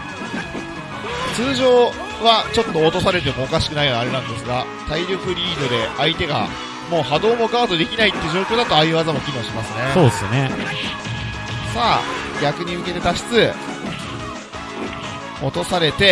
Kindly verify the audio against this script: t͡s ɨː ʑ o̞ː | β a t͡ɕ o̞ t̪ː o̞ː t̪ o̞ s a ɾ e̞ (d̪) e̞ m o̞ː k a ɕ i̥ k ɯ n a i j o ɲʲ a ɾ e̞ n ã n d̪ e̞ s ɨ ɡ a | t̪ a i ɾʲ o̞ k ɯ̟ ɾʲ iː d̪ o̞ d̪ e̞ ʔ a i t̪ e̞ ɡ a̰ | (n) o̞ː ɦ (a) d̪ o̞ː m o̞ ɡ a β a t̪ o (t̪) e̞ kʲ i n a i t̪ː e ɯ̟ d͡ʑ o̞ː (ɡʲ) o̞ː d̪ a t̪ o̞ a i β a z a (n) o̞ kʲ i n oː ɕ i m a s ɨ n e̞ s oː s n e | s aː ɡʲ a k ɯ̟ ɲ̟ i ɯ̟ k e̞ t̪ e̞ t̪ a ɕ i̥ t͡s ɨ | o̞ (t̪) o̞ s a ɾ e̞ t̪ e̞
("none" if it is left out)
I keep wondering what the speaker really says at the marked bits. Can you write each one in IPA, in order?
t̪, m, a, d̪, kʲ, m, t̪

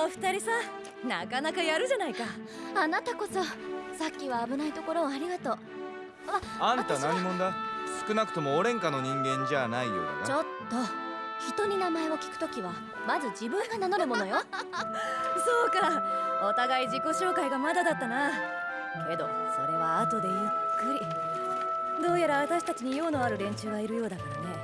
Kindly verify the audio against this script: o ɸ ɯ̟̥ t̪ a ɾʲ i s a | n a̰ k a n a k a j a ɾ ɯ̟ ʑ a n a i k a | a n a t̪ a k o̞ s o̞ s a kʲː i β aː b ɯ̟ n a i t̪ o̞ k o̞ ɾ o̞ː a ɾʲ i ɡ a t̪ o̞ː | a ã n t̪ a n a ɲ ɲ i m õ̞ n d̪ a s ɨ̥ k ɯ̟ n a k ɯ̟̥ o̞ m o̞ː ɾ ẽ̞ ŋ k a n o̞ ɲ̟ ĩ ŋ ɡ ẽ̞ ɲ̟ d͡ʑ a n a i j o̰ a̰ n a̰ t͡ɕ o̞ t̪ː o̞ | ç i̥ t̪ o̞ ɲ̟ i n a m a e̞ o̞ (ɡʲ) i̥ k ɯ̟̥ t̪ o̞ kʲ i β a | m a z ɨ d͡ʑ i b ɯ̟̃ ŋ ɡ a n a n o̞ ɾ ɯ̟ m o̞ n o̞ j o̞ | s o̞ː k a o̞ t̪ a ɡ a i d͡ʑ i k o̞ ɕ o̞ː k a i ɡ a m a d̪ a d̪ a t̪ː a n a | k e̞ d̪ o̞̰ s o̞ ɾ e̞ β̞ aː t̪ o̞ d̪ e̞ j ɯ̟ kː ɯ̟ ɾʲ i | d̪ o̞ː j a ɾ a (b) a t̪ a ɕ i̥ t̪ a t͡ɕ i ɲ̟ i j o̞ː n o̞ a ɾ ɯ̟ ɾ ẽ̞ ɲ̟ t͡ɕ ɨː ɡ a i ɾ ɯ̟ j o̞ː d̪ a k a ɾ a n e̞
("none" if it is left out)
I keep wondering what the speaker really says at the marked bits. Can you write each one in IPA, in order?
kʲ, β

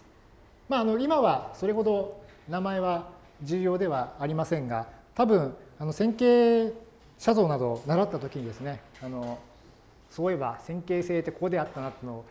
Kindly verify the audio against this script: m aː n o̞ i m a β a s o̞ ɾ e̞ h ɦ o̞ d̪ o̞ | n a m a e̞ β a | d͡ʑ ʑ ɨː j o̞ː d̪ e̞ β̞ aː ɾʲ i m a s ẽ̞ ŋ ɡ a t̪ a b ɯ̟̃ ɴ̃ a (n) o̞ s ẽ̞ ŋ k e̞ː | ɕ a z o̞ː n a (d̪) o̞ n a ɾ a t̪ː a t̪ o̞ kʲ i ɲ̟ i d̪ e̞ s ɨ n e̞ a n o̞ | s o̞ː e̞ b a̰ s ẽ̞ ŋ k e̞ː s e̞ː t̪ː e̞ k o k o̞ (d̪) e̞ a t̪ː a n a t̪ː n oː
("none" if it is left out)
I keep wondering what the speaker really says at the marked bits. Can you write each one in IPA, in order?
n, d̪, d̪

